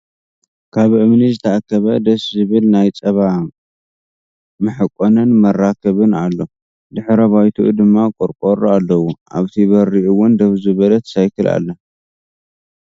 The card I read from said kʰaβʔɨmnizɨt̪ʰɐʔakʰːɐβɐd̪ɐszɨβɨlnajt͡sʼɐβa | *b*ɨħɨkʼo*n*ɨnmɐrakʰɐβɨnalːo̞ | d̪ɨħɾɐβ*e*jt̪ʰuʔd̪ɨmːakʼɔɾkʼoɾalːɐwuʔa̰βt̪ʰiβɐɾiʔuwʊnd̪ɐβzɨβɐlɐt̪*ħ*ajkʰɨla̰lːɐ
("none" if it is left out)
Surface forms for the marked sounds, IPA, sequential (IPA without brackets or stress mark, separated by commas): m, n, a, s